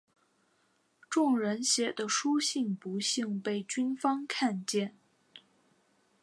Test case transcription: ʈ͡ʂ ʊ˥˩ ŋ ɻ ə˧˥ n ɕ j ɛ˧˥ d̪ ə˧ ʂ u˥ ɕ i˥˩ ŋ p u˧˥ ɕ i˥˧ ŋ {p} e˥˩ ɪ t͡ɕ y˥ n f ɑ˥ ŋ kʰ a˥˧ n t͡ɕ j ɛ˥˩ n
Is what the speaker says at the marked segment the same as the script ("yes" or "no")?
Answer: yes